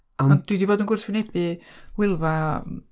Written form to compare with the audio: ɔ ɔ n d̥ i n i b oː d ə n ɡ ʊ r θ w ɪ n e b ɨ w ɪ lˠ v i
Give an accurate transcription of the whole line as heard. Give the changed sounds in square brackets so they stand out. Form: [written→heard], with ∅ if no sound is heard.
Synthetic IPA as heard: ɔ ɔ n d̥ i [n→d] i b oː d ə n ɡ ʊ r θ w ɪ n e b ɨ w ɪ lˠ v [i→a]

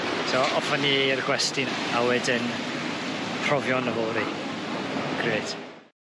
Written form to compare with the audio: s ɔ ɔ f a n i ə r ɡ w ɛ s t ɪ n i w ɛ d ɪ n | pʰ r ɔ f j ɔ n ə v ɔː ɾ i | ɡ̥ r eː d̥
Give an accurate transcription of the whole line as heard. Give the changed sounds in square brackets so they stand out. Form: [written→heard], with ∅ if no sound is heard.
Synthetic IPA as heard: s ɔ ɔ f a n i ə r ɡ w ɛ s t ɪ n [i→a] w ɛ d ɪ n | pʰ r ɔ [f→v] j ɔ n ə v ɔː ɾ i | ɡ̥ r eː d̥

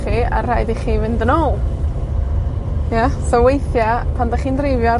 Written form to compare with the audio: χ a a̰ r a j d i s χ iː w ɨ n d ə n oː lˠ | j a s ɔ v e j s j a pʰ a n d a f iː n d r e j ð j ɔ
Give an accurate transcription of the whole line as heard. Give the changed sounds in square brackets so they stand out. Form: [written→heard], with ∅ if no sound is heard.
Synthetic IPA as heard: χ [a→i] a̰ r a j d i [s→∅] χ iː [w→v] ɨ n d ə n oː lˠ | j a s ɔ [v→w] e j [s→θ] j a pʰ a n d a [f→χ] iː n d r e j [ð→v] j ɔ

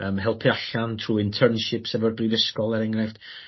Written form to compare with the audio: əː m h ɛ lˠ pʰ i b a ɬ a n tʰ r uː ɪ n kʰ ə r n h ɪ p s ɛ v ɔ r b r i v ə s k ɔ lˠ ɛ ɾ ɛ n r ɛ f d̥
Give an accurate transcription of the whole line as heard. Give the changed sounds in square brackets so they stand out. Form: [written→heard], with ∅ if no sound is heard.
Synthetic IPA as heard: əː m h ɛ lˠ pʰ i [b→∅] a ɬ a n tʰ r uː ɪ n [kʰ→tʰ] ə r n [h→ʃ] ɪ p s ɛ v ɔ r b r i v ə s k ɔ lˠ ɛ ɾ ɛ [n→ŋ] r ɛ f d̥

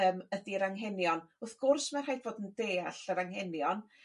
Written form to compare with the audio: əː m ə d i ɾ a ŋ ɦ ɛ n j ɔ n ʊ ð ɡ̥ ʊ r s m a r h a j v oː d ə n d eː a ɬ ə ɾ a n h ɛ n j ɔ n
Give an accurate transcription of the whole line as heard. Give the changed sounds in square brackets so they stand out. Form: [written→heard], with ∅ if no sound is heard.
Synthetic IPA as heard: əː m ə d i ɾ a ŋ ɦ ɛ n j ɔ n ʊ [ð→θ] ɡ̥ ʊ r s m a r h a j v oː d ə n d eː a ɬ ə ɾ a [n→ŋ] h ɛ n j ɔ n

